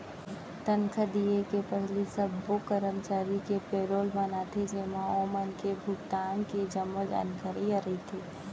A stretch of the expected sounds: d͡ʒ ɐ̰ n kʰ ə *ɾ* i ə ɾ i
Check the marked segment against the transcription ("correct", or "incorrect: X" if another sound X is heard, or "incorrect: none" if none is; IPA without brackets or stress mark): correct